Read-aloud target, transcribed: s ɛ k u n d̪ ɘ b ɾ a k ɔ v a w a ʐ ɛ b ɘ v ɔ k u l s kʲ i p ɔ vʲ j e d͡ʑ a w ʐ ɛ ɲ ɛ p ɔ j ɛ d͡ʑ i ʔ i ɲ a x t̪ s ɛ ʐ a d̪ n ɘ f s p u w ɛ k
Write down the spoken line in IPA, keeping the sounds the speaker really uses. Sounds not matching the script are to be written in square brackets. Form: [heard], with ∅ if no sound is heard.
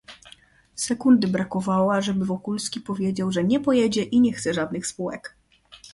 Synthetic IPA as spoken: s ɛ k u n d̪ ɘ b ɾ a k ɔ v a w a ʐ ɛ b ɘ v ɔ k u l s kʲ i p ɔ vʲ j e d͡ʑ a w ʐ ɛ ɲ ɛ p ɔ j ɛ d͡ʑ [ɛ] ʔ i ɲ [ɛ] x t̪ s ɛ ʐ a d̪ n ɘ [x] s p u w ɛ k